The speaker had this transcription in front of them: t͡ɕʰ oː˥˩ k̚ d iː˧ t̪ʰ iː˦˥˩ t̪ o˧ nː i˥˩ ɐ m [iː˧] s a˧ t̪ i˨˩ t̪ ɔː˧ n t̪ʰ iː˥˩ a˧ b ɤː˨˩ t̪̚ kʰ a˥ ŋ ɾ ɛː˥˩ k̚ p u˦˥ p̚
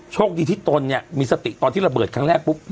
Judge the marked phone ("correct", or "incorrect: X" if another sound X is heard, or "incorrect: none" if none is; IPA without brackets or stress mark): correct